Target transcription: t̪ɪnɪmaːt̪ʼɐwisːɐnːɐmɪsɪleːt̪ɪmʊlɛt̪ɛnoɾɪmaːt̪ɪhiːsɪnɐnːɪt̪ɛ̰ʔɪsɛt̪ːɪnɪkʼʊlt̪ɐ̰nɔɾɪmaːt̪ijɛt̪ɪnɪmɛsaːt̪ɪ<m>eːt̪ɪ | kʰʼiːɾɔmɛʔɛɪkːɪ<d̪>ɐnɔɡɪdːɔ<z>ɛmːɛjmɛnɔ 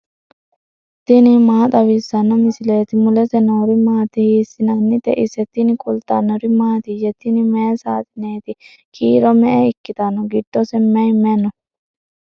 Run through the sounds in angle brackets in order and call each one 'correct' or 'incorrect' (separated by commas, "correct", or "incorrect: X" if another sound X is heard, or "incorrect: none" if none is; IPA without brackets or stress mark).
incorrect: n, incorrect: t̪, incorrect: s